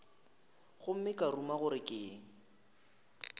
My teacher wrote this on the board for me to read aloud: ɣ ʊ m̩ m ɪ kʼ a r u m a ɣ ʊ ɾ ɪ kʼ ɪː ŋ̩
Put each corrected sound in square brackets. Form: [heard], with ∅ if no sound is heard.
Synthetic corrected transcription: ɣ ʊ m̩ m ɪ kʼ a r u m a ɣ ʊ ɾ ɪ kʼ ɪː ŋ̩